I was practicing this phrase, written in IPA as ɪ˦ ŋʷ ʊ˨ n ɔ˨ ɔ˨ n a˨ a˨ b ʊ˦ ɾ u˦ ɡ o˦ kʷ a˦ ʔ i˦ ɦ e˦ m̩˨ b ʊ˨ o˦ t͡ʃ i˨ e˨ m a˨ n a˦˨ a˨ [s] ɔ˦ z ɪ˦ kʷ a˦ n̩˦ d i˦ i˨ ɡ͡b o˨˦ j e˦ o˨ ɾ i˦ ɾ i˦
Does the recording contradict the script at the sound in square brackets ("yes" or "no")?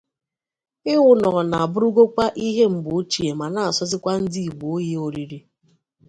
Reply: no